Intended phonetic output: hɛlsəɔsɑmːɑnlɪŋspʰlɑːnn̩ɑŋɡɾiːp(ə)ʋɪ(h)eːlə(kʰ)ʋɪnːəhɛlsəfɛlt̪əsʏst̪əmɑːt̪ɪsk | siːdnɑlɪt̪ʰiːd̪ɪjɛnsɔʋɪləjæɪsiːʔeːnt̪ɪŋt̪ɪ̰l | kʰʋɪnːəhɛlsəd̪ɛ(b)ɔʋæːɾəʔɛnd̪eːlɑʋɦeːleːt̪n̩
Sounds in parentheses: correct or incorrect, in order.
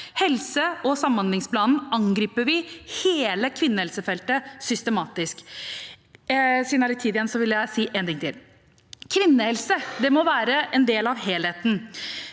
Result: correct, correct, correct, incorrect

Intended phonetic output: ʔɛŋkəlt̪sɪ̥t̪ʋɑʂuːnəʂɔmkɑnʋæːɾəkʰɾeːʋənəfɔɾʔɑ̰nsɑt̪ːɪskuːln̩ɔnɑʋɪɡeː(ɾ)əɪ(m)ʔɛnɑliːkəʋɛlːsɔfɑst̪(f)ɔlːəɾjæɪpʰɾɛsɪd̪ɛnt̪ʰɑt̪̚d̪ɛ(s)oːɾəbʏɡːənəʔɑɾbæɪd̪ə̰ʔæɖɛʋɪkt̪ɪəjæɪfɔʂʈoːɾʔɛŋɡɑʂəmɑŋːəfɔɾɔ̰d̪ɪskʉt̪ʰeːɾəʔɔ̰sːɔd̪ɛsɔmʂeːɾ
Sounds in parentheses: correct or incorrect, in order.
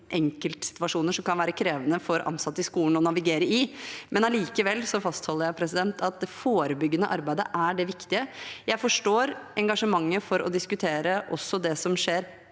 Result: correct, correct, incorrect, incorrect

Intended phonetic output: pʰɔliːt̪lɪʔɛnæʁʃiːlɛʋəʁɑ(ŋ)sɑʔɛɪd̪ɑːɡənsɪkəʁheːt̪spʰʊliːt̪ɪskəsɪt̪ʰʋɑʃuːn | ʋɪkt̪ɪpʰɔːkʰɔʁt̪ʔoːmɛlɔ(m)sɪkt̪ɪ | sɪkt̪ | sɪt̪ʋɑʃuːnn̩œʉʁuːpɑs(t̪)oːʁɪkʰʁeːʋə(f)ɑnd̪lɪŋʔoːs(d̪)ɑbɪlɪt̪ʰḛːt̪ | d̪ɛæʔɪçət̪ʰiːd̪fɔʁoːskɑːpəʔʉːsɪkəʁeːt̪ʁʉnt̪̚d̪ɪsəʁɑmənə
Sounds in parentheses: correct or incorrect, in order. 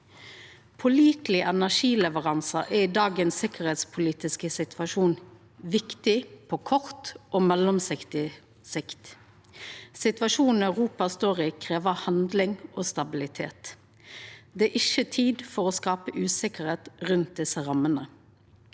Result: incorrect, correct, correct, incorrect, incorrect

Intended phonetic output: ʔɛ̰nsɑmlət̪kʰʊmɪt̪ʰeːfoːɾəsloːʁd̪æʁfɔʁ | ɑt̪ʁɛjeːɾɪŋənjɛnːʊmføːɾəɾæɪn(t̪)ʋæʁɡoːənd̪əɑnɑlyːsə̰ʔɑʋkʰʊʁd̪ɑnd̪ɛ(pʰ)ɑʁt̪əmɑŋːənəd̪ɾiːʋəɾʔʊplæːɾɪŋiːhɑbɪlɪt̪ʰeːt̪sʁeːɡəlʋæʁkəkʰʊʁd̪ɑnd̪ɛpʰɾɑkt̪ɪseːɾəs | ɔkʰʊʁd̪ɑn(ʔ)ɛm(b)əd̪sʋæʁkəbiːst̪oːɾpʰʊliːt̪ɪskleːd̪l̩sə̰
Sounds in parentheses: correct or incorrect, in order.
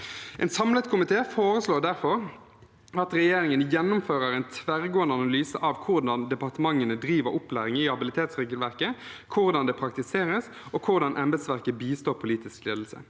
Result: incorrect, incorrect, correct, correct

